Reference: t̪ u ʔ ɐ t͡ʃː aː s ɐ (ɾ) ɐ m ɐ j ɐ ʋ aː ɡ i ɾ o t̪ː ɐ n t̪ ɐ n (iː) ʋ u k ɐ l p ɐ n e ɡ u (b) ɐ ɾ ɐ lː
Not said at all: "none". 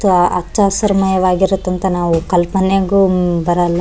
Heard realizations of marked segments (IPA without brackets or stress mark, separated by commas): ɾ, aː, b